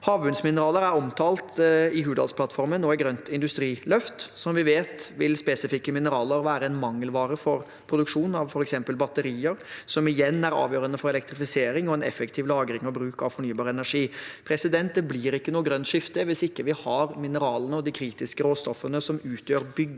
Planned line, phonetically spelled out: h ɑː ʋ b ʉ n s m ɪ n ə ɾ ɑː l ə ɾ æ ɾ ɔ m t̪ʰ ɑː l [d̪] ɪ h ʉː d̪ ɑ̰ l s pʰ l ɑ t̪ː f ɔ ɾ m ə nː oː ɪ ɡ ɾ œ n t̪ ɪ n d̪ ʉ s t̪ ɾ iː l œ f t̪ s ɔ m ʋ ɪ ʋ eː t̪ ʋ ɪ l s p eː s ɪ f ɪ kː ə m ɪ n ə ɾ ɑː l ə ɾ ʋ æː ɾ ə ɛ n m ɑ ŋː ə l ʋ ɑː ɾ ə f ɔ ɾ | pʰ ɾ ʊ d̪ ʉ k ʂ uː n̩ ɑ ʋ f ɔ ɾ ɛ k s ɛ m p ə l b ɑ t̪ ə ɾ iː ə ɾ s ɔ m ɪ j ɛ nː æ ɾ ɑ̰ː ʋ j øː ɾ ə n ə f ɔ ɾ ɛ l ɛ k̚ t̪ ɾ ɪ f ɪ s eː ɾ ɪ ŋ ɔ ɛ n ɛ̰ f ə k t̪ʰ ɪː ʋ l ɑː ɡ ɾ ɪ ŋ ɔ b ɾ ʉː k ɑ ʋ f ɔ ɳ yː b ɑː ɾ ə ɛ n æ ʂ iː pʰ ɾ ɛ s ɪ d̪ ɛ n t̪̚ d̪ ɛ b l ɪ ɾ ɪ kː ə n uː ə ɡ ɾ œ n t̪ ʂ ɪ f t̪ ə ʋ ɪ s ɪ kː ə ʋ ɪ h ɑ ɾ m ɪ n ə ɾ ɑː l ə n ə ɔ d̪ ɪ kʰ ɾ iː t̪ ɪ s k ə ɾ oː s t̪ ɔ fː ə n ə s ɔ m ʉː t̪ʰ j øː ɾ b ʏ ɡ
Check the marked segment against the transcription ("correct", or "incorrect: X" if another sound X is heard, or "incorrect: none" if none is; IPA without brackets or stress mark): incorrect: t̪